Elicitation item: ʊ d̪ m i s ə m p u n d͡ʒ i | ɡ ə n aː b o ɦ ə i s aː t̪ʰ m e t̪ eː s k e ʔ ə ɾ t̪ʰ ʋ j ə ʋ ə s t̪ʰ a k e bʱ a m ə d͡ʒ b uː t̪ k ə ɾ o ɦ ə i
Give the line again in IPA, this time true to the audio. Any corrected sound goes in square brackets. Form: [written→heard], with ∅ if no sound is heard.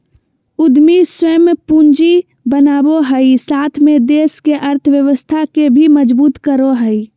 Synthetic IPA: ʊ d̪ m i s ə m p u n d͡ʒ i | [ɡ→b] ə n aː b o ɦ ə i s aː t̪ʰ m e [t̪→d̪] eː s k e ʔ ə ɾ t̪ʰ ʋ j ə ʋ ə s t̪ʰ a k e bʱ [a→i] m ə d͡ʒ b uː t̪ k ə ɾ o ɦ ə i